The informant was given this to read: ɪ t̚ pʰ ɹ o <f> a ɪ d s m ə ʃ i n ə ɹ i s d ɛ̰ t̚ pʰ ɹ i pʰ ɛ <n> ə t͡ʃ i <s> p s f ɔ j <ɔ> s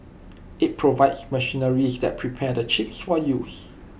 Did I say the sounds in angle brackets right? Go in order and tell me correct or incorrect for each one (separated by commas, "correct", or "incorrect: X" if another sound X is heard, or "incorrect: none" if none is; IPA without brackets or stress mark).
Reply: incorrect: v, incorrect: d, incorrect: none, incorrect: u